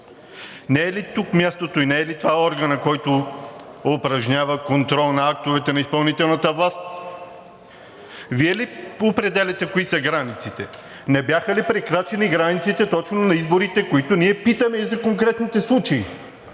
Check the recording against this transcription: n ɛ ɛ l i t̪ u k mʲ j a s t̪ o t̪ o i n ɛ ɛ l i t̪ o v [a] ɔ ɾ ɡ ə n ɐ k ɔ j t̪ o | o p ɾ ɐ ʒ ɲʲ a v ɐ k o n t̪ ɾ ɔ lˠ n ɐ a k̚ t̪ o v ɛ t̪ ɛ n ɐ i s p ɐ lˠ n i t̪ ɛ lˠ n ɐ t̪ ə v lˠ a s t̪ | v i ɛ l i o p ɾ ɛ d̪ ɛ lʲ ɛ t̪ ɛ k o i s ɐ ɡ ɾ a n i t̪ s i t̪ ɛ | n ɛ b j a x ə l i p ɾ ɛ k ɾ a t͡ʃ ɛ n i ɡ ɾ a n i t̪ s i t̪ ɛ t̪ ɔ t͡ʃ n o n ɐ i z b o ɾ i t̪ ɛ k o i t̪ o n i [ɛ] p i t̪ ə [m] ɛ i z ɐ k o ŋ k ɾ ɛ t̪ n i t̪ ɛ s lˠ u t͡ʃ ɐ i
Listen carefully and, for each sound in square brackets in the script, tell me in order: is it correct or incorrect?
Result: correct, correct, correct

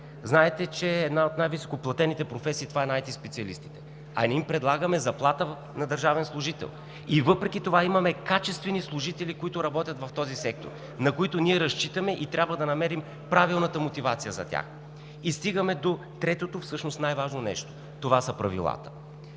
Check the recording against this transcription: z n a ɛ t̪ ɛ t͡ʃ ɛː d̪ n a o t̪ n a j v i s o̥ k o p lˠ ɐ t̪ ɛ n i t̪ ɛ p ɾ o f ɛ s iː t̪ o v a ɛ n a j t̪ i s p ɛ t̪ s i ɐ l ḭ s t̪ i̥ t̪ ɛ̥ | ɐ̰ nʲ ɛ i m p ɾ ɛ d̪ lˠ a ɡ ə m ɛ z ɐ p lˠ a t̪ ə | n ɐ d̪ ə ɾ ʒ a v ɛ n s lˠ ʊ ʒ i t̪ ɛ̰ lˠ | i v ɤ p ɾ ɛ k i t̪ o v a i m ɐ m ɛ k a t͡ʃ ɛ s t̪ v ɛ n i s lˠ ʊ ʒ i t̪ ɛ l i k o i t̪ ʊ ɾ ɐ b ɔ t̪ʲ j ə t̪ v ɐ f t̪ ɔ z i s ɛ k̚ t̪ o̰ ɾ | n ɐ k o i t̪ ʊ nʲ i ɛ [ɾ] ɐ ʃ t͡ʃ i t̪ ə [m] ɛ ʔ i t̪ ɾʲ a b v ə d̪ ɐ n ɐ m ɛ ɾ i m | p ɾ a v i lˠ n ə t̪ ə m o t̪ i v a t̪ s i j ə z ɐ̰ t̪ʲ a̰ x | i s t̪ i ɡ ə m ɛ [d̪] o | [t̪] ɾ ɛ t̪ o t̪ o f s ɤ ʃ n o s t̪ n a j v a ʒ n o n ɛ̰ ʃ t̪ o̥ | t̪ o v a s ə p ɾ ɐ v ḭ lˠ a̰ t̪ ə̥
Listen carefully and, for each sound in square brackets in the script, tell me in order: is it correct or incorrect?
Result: correct, correct, correct, correct

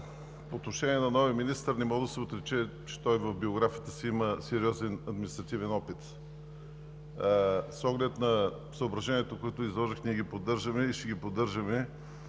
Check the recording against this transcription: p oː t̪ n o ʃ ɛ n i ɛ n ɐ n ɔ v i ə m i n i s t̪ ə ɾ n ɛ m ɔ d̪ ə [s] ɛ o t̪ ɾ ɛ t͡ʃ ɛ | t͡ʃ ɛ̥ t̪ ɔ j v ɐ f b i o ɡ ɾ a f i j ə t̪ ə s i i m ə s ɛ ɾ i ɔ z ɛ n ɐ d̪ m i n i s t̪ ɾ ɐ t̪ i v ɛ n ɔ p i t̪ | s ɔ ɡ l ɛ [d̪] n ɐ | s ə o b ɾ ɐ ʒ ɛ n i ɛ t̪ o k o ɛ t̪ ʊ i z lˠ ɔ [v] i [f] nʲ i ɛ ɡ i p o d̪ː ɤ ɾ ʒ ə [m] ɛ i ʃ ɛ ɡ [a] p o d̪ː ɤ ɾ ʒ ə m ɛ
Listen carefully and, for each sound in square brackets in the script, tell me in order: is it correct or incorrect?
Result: correct, incorrect, incorrect, incorrect, correct, incorrect

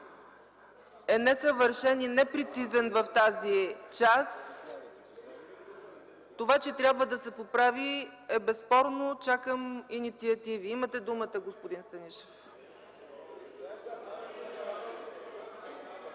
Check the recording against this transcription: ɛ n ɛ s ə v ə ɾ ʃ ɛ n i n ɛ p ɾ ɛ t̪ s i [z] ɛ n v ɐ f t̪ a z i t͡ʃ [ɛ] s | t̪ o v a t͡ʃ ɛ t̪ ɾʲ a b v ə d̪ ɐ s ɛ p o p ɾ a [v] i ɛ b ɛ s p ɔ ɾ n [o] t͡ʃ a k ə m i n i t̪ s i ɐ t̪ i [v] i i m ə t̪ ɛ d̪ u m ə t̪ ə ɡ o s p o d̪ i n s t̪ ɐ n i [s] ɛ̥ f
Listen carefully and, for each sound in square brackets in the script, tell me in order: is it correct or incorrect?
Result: correct, incorrect, correct, correct, correct, incorrect

